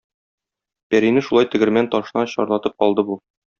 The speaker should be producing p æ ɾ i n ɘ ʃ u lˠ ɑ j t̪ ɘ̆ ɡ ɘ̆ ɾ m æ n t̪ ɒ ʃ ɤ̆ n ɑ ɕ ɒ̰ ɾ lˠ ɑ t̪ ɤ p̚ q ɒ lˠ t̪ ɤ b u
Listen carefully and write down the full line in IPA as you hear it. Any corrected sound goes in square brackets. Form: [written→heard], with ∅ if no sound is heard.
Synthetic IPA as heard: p æ ɾ i n ɘ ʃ u lˠ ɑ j t̪ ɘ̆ ɡ ɘ̆ ɾ m æ n t̪ ɒ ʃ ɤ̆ n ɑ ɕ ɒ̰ ɾ lˠ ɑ t̪ ɤ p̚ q ɒ lˠ [t̪→d̪] ɤ b u